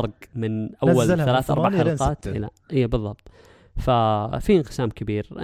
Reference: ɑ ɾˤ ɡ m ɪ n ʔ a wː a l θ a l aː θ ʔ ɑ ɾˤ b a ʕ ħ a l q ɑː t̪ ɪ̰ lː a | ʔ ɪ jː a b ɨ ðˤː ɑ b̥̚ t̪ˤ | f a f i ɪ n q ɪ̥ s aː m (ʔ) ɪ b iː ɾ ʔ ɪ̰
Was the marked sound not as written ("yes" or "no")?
yes